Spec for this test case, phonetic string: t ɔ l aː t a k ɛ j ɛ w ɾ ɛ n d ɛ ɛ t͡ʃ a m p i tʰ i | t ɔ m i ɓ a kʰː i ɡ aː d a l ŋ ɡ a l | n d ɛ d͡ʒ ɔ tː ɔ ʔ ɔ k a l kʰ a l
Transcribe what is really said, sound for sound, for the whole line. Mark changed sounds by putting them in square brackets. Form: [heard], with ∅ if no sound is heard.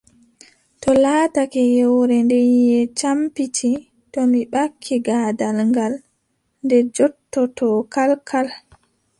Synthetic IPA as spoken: t ɔ l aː t a k ɛ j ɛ w ɾ ɛ n d ɛ ɛ t͡ʃ a m p i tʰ i | t ɔ m i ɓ a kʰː i ɡ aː d a l ŋ ɡ a l | n d ɛ d͡ʒ ɔ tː ɔ [t] ɔ k a l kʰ a l

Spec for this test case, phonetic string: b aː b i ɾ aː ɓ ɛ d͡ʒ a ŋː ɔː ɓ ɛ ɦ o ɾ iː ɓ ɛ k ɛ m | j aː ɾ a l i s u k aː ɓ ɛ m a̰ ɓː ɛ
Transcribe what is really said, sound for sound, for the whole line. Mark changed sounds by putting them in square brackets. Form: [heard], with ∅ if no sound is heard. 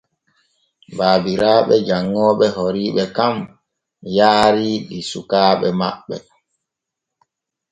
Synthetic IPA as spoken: b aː b i ɾ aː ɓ ɛ d͡ʒ a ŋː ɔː ɓ ɛ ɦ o ɾ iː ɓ ɛ k [a] m | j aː ɾ [i] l i s u k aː ɓ ɛ m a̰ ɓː ɛ

